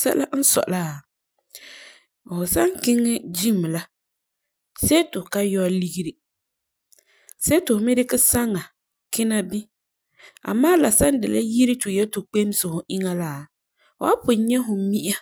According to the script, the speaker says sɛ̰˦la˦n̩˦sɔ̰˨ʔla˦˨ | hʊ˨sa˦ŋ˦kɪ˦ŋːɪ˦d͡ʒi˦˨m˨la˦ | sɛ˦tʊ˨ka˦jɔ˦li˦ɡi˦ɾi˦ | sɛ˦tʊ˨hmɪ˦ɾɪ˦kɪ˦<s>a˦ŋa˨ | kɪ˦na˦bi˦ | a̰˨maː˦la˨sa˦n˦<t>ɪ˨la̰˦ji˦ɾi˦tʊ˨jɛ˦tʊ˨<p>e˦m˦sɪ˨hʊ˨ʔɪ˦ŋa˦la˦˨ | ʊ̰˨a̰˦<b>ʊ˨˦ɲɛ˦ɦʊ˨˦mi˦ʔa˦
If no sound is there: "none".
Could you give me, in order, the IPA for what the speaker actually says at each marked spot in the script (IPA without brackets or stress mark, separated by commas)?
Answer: s, d, k͡p, p